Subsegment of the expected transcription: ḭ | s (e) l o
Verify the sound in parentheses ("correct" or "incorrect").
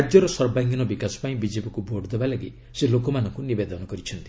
correct